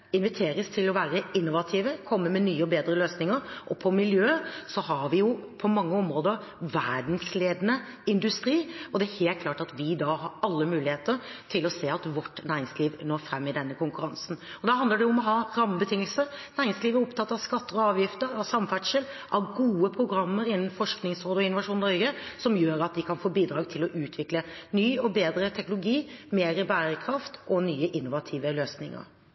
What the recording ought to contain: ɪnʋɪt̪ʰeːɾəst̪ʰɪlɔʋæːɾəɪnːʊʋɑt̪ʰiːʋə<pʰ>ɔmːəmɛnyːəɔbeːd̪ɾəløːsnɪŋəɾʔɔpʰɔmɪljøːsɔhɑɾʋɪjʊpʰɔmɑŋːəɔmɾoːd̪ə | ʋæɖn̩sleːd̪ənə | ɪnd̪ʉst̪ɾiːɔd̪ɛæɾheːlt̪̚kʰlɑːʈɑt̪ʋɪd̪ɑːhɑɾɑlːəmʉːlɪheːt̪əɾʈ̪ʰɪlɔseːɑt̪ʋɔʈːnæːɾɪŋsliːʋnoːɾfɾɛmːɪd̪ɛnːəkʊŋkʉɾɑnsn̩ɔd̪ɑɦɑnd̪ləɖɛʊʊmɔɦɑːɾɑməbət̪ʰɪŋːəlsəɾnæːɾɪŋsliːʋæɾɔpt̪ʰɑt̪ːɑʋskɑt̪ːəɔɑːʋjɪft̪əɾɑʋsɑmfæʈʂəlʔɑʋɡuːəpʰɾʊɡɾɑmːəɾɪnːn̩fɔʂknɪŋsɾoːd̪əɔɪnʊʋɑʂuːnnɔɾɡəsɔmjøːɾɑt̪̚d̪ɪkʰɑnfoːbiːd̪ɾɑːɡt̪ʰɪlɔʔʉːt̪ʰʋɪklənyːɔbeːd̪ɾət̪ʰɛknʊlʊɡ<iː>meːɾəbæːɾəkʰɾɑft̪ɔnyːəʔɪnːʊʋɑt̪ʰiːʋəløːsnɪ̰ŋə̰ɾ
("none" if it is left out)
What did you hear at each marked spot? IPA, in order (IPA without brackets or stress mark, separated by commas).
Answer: kʰ, iː